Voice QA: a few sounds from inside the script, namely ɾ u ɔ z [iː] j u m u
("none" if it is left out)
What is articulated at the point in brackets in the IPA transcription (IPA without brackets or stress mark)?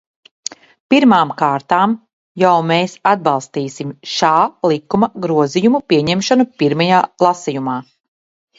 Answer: i